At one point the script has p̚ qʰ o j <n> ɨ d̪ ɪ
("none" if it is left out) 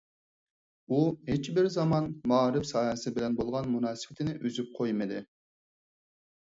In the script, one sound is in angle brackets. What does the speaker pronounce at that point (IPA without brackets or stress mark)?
m